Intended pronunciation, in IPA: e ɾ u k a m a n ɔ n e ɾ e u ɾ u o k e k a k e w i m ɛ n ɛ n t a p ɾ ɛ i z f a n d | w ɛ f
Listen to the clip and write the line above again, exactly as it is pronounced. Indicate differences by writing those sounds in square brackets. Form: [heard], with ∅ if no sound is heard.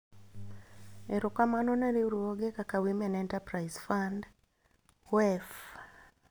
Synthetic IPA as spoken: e ɾ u k a m a n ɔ n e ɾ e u ɾ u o [ɡ] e k a k [a] w i m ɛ n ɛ n t a p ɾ [a] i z f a n d | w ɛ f